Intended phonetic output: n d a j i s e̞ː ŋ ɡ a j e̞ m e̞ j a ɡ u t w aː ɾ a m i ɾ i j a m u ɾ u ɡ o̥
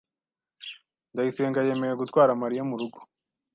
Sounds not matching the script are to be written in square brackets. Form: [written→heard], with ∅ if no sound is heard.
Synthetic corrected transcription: n d a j i s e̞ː ŋ ɡ a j e̞ m e̞ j [a→e] ɡ u t w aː ɾ a m [i→a] ɾ i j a m u ɾ u ɡ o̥